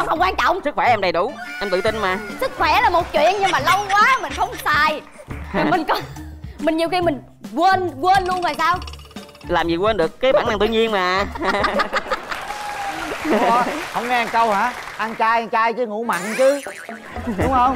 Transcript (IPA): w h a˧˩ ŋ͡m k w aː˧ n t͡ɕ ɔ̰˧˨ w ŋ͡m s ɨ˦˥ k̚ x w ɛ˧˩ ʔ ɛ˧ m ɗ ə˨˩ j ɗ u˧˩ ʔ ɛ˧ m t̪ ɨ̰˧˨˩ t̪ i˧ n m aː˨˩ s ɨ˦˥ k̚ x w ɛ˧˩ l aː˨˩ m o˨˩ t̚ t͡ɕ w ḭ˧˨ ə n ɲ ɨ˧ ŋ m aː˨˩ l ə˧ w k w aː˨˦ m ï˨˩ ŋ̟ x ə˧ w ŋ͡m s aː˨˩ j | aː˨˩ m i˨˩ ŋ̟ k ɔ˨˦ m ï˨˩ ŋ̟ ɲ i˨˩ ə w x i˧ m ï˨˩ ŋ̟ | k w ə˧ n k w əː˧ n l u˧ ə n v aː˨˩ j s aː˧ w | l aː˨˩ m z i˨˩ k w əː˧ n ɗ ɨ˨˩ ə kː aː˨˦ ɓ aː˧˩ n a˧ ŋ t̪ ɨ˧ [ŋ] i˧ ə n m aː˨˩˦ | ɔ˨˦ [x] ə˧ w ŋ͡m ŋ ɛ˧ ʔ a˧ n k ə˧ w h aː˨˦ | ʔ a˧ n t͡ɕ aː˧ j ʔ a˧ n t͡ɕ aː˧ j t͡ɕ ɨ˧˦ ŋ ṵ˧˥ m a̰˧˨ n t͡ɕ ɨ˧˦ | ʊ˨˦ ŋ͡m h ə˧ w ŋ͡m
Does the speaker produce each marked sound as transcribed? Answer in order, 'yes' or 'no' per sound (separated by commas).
no, no